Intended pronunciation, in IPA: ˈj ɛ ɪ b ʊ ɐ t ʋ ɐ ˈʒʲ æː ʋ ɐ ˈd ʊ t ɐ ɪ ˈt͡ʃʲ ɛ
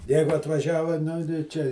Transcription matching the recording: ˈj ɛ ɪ ɡ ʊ ɐ t ʋ ɐ ˈʒʲ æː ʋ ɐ ˈn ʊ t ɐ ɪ ˈt͡ʃʲ ɛ